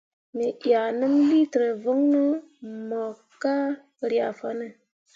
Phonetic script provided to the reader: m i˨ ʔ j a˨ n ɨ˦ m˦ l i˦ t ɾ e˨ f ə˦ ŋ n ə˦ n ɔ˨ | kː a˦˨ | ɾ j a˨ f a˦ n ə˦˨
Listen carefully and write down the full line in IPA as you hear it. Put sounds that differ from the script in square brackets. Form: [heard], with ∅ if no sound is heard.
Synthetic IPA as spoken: m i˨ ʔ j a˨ n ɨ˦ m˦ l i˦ t ɾ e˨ [v] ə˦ ŋ n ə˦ [m] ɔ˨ | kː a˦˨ | ɾ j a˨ f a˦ n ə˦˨